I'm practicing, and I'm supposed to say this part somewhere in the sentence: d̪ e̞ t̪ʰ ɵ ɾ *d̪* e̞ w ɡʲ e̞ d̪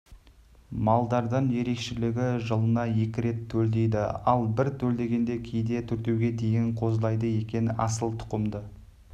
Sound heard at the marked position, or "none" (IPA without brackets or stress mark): t̪